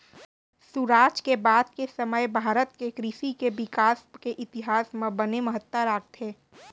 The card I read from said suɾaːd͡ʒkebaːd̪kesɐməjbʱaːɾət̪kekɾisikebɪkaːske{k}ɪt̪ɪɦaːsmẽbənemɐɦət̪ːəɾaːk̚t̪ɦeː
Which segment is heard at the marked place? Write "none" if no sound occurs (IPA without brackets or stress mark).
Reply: ʔ